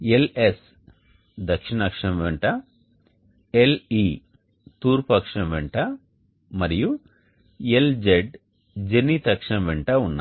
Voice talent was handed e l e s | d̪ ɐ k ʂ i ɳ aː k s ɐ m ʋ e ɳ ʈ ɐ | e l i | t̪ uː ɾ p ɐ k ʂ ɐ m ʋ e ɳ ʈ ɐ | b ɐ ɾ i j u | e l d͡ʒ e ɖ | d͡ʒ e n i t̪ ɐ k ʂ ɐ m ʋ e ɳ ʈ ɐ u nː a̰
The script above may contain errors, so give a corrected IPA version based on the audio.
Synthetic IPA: e l e s | d̪ ɐ k ʂ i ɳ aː k ʂ ɐ m ʋ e ɳ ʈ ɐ | e l i | t̪ uː ɾ p ɐ k ʂ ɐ m ʋ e ɳ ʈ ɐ | m ɐ ɾ i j u | e l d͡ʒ e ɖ | d͡ʒ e n i t̪ ɐ k ʂ ɐ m ʋ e ɳ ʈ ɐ u nː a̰

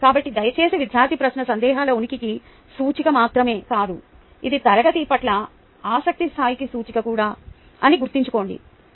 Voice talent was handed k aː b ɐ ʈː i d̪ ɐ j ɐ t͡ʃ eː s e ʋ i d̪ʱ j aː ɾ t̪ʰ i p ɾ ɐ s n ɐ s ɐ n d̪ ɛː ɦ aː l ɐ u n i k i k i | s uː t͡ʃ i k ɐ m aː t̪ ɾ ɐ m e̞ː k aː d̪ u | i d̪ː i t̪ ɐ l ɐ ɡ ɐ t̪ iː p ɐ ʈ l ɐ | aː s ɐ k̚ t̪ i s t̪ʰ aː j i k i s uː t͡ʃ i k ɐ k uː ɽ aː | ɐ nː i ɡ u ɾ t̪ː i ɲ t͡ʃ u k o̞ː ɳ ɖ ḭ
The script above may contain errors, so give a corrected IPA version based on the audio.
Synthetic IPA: k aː b ɐ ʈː i d̪ ɐ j ɐ t͡ʃ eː s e ʋ i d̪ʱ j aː ɾ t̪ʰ i p ɾ ɐ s n ɐ s ɐ n d̪ ɛː ɦ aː l ɐ u n i k i k i | s uː t͡ʃ i k ɐ m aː t̪ ɾ ɐ m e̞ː k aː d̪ u | i d̪ i t̪ ɐ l ɐ ɡ ɐ t̪ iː p ɐ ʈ l ɐ | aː s ɐ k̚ t̪ i s t̪ʰ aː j i k i s uː t͡ʃ i k ɐ k uː ɽ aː | ɐ n i ɡ u ɾ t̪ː i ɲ t͡ʃ u k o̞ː ɳ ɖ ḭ

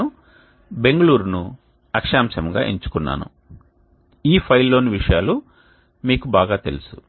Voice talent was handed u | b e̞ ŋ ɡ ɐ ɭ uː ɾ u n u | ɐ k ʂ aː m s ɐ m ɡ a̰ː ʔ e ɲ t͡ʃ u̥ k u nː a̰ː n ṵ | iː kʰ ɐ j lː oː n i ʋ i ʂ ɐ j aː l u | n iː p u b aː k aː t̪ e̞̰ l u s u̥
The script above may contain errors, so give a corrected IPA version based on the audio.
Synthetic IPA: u | b e̞ ŋ ɡ ɐ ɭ uː ɾ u n u | ɐ k ʂ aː m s ɐ m ɡ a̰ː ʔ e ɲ t͡ʃ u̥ k u nː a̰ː n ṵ | iː pʰ ɐ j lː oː n i ʋ i ʂ ɐ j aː l u | m iː k u b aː ɡ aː t̪ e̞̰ l u s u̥

